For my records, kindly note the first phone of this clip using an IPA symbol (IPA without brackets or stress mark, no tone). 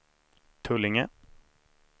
t̪ʰ